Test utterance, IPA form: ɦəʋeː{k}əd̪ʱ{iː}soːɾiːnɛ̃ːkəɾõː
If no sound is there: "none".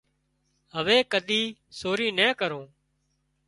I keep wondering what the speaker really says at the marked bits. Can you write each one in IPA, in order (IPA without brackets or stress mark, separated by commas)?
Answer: k, iː